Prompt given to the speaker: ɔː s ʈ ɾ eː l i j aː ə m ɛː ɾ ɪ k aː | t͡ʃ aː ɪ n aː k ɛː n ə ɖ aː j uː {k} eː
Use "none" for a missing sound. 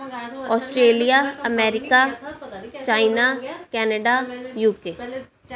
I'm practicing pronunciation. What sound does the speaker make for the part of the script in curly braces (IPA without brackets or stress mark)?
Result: k